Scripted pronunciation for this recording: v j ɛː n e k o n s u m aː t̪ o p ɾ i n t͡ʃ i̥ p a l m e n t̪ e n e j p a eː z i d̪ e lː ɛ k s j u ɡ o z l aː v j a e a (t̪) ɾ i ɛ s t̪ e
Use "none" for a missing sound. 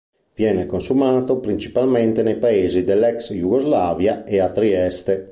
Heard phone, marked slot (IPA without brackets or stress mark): t̪